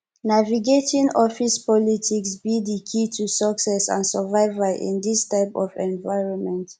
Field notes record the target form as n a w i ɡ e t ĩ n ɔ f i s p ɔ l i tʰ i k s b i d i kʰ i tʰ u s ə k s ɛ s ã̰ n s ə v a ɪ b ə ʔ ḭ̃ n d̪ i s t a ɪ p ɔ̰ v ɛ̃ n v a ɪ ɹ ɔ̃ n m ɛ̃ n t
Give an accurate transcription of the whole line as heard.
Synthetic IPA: n a v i ɡ e t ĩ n ɔ f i s p ɔ l i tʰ i k s b i d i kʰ i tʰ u s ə k s ɛ s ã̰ n s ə v a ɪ v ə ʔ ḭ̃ n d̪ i s t a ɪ p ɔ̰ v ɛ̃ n v a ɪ ɹ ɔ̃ n m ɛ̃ n t

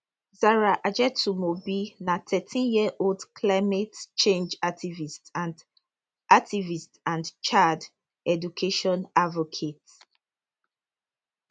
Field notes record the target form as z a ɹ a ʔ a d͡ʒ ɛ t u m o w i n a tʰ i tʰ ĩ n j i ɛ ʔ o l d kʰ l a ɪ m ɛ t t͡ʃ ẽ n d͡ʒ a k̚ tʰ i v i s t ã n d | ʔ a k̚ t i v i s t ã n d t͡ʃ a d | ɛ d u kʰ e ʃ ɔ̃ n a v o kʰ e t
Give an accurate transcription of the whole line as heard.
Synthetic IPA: z a ɹ a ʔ a d͡ʒ ɛ t u m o b i n a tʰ ɛ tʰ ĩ n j i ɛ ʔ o l d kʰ l a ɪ m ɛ t t͡ʃ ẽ n d͡ʒ a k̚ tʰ i v i s t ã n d | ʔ a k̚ t i v i s t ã n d t͡ʃ a d | ɛ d u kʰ e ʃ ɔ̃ n a v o kʰ e t

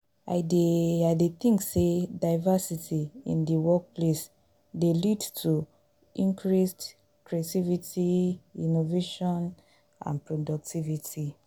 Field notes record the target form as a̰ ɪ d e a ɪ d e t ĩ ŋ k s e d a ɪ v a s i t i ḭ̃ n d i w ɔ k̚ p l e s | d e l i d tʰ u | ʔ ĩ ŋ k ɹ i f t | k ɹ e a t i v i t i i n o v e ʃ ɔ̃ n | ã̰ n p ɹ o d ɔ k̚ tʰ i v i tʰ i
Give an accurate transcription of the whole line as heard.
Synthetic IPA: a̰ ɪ d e a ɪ d e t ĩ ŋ k s e d a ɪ v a s i t i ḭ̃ n d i w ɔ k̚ p l e s | d e l i d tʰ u | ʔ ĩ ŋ k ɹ i s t | k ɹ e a t i v i t i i n o v e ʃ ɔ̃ n | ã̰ n p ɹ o d ɔ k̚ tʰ i v i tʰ i

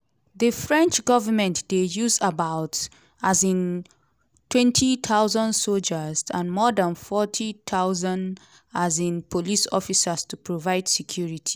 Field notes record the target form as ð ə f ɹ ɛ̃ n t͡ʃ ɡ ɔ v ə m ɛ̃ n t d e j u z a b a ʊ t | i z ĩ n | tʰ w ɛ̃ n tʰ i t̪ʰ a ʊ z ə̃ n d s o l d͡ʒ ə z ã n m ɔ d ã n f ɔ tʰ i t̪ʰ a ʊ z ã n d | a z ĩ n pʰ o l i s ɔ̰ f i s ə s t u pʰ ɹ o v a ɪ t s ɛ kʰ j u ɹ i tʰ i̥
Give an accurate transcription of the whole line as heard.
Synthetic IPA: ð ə f ɹ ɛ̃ n t͡ʃ ɡ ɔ v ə m ɛ̃ n t d e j u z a b a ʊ t | a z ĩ n | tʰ w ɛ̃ n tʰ i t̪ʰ a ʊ z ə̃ n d s o l d͡ʒ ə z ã n m ɔ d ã n f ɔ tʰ i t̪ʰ a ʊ z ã n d | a z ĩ n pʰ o l i s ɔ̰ f i s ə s t u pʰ ɹ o v a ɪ d s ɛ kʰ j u ɹ i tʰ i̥

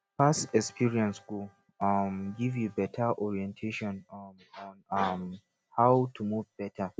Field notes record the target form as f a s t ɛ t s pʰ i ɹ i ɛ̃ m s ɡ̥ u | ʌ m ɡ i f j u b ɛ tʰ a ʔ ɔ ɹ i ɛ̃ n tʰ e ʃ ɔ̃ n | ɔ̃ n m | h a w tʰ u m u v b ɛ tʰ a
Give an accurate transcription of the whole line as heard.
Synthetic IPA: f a s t ɛ k s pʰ i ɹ i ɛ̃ n s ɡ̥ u | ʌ m ɡ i v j u b ɛ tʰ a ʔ ɔ ɹ i ɛ̃ n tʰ e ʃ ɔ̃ n | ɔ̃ n m | h a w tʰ u m u v b ɛ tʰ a

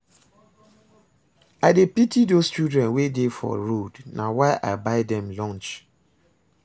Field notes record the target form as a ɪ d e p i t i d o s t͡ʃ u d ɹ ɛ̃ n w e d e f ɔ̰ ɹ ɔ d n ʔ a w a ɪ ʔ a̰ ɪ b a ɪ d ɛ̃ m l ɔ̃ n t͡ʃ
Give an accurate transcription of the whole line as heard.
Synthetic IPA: a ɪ d e p i t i d o s t͡ʃ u d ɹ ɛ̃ n w e d e f ɔ̰ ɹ o d n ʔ a w a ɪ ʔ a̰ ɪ b a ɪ d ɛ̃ m l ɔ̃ n t͡ʃ

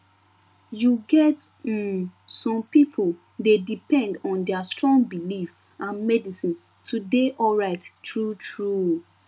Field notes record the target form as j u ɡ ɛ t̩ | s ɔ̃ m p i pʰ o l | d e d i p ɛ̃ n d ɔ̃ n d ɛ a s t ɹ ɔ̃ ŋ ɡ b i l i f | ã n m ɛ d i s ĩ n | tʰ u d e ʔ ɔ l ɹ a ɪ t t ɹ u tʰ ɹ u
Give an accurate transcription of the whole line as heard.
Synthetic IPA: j u ɡ ɛ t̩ | s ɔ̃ m p i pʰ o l | d e d i p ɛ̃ n d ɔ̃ n d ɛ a s t ɹ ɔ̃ ŋ ɡ b i l i f | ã n m ɛ d i s ĩ n | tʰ u d e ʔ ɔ l ɹ a ɪ t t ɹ u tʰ ɹ u

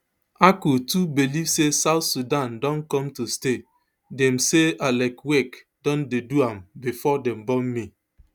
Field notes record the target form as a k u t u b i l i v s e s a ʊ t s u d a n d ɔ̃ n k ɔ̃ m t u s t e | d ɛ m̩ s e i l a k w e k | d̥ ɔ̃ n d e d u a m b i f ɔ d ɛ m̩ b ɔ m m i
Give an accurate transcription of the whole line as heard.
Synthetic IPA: a k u t u b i l i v s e s a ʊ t s u d a n d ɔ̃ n k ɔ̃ m t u s t e | d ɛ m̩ s e a l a k w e k | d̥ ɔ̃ n d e d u a m b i f ɔ d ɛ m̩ b ɔ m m i

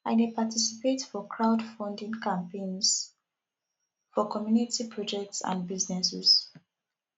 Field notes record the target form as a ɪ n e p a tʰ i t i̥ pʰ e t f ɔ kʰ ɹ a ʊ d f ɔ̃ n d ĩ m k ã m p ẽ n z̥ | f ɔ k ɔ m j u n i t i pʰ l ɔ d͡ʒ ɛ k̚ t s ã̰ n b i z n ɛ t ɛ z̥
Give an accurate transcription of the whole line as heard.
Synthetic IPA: a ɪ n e p a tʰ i s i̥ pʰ e t f ɔ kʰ ɹ a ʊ d f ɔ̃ n d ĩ ŋ k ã m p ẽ n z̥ | f ɔ k ɔ m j u n i t i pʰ ɹ ɔ d͡ʒ ɛ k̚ t s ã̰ n b i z n ɛ s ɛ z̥

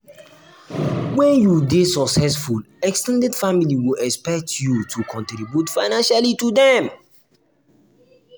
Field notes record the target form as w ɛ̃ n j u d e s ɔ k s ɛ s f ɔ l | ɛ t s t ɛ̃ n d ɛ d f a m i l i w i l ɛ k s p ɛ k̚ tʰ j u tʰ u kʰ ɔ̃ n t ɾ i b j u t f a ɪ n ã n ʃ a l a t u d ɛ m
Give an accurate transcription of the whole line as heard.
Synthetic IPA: w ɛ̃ n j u d e s ɔ k s ɛ s f u l | ɛ k s t ɛ̃ n d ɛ d f a m i l i w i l ɛ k s p ɛ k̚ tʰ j u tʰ u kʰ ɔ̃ n t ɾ i b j u t f a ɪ n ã n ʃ a l i t u d ɛ m

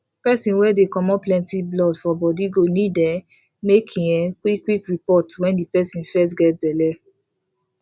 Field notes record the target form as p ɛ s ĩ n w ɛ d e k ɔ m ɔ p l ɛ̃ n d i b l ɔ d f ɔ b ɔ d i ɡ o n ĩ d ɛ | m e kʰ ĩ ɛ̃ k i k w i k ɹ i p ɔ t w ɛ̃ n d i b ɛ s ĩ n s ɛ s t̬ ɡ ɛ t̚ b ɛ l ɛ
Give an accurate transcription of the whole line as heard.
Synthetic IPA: p ɛ s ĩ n w ɛ d e k ɔ m ɔ p l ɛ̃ n t i b l ɔ d f ɔ b ɔ d i ɡ o n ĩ d ɛ | m e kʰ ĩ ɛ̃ k i k w i k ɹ i p ɔ t w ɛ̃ n d i p ɛ s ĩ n f ɛ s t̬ ɡ ɛ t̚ b ɛ l ɛ

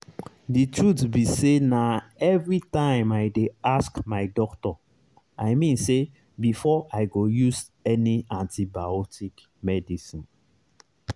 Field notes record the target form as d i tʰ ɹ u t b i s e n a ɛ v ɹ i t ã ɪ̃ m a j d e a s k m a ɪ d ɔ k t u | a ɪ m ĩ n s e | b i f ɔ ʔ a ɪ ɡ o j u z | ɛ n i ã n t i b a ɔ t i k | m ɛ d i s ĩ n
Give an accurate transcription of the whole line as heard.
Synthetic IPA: d i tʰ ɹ u t b i s e n a ɛ v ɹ i t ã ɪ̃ m a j d e a s k m a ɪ d ɔ k t ɔ | a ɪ m ĩ n s e | b i f ɔ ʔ a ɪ ɡ o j u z | ɛ n i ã n t i b a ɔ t i k | m ɛ d i s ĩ n

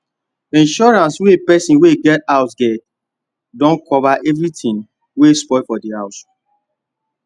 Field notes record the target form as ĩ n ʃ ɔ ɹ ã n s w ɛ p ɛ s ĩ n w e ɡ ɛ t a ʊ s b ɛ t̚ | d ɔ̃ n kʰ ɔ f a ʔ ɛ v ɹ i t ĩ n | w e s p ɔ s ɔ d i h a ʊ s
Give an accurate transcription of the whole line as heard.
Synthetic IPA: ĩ n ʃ ɔ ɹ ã n s w e p ɛ s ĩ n w e ɡ ɛ t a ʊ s ɡ ɛ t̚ | d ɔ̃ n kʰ ɔ v a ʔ ɛ v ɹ i t ĩ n | w e s p ɔ f ɔ d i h a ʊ s

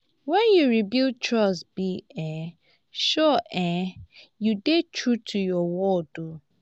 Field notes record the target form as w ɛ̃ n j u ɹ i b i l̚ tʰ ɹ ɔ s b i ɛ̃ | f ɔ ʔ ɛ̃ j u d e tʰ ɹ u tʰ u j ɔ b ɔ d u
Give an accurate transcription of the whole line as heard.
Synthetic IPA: w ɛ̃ n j u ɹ i b i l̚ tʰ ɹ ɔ s b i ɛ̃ | ʃ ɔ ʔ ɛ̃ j u d e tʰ ɹ u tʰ u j ɔ w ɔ d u

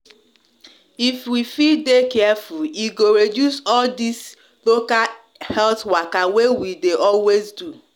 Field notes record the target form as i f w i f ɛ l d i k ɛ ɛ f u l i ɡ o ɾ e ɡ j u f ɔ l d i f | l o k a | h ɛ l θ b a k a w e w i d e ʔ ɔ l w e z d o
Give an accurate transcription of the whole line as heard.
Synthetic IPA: i f w i f i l d e k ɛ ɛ f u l i ɡ o ɾ e d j u s ɔ l d i s | l o k a | h ɛ l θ w a k a w e w i d e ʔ ɔ l w e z d u

